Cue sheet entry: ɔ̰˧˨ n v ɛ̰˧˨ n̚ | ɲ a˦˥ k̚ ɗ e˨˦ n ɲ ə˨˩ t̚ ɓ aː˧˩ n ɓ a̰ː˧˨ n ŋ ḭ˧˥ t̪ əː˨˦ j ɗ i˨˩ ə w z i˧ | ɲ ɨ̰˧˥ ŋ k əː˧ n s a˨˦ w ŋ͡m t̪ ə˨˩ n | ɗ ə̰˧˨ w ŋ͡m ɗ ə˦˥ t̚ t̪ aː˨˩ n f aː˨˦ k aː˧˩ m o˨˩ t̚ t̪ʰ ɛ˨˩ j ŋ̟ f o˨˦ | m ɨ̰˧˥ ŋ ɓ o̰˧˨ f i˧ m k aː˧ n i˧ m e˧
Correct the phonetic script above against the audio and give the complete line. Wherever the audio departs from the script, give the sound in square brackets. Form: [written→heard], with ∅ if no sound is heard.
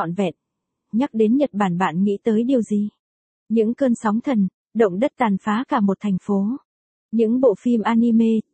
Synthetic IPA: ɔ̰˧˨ n v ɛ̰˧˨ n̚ | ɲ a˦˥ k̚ ɗ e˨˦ n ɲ ə˨˩ t̚ ɓ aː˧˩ n ɓ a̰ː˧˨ n ŋ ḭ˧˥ t̪ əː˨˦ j ɗ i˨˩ ə w z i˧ | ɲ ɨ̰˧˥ ŋ k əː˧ n s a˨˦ w ŋ͡m [t̪→t̪ʰ] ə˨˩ n | ɗ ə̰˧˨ w ŋ͡m ɗ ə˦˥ t̚ t̪ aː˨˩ n f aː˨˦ k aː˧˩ m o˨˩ t̚ t̪ʰ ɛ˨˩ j ŋ̟ f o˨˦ | [m→ɲ] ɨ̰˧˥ ŋ ɓ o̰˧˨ f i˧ m [k→ʔ] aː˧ n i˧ m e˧